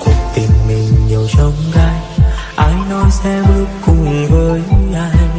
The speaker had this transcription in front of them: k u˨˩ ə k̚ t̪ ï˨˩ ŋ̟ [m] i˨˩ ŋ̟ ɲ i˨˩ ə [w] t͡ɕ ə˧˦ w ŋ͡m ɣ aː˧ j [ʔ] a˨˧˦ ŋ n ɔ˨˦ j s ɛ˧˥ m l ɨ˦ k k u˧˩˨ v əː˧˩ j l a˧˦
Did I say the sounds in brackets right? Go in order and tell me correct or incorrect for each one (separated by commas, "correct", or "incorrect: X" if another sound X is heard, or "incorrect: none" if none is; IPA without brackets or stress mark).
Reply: correct, correct, correct